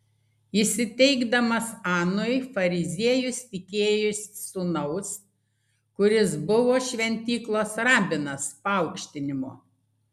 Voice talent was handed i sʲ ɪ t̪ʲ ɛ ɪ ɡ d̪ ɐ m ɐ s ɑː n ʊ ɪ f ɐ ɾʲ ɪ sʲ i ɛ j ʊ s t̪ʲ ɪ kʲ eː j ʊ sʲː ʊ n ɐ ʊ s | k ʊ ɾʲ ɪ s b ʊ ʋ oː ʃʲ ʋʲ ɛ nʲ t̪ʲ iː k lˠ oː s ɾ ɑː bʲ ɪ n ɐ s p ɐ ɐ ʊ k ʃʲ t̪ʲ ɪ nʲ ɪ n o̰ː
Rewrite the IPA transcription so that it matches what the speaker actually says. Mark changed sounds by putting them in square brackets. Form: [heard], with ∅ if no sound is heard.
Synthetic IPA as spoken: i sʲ ɪ t̪ʲ ɛ ɪ ɡ d̪ ɐ m ɐ s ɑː n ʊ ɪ f ɐ ɾʲ ɪ [zʲ] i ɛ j ʊ s t̪ʲ ɪ kʲ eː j ʊ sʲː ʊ n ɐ ʊ s | k ʊ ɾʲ ɪ s b ʊ ʋ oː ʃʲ ʋʲ ɛ nʲ t̪ʲ iː k lˠ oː s ɾ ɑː bʲ ɪ n ɐ s p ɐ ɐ ʊ k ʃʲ t̪ʲ ɪ nʲ ɪ [m] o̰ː